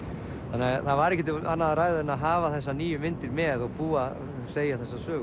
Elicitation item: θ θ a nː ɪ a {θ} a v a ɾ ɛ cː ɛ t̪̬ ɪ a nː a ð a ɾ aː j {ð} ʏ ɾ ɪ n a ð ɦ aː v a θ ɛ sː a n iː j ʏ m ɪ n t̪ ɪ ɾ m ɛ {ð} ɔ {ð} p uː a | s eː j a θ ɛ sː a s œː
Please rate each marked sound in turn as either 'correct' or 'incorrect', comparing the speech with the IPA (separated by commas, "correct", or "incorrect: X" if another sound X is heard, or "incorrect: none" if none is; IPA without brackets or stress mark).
correct, correct, correct, incorrect: ɣ